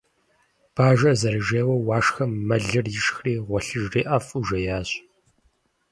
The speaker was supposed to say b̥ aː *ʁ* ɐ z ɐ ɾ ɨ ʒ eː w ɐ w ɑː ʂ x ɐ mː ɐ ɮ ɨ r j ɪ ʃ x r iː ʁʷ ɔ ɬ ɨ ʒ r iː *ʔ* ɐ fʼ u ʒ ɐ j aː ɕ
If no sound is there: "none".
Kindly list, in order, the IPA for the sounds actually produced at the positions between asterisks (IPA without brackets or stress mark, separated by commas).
ʒ, ʔ